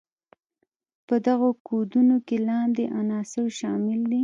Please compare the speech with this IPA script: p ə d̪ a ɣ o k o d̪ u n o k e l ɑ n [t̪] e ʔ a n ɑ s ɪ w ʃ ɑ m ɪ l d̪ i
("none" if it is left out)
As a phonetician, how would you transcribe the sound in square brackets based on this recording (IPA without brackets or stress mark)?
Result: d̪